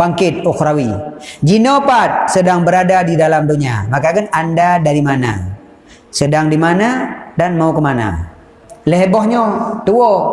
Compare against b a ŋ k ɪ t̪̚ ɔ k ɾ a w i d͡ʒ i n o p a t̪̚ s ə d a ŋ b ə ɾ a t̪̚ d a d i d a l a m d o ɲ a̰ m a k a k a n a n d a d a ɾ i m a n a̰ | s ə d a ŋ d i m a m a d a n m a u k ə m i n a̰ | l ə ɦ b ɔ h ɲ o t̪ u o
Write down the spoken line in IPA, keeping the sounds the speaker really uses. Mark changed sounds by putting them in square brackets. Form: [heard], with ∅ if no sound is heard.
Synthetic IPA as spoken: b a ŋ k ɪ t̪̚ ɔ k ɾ a w i d͡ʒ i n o p a t̪̚ s ə d a ŋ b ə ɾ a [∅] d a d i d a l a m d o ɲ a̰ m a k a k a n a n d a d a ɾ i m a n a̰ | s ə d a ŋ d i m a [n] a d a n m a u k ə m [a] n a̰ | l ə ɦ b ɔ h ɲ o t̪ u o